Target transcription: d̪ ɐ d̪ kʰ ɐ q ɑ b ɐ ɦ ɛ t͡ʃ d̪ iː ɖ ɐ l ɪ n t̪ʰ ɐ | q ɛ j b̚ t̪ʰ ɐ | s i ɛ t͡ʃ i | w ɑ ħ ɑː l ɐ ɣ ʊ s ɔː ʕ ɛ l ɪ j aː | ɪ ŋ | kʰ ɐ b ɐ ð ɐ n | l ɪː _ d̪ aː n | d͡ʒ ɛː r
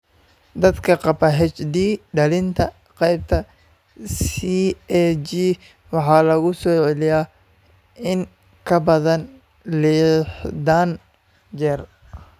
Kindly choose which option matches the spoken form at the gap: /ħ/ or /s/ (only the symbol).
ħ